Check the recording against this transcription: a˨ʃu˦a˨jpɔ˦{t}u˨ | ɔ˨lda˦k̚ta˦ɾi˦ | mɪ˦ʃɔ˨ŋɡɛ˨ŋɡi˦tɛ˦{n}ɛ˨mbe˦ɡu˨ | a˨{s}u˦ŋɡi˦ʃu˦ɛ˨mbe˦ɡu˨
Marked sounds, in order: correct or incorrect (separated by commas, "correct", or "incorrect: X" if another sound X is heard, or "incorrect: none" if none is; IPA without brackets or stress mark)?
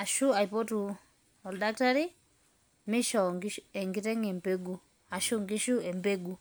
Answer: correct, incorrect: ŋ, incorrect: ʃ